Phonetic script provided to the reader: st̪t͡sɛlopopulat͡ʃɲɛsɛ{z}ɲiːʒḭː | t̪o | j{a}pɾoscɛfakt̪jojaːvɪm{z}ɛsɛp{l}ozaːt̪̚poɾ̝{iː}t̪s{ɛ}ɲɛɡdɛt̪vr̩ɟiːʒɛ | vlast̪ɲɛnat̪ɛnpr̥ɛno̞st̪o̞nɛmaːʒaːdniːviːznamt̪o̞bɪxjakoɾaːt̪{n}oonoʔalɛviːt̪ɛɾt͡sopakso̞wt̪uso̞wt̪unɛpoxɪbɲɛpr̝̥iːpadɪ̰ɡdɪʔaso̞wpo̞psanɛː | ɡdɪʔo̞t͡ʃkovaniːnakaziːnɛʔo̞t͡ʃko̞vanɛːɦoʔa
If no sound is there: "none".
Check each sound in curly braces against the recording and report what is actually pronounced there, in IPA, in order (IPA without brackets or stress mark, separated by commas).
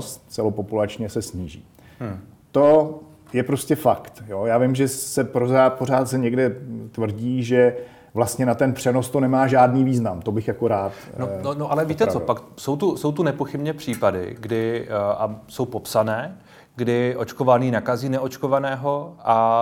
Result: s, ɛ, ʒ, ɾ, aː, ɛ, n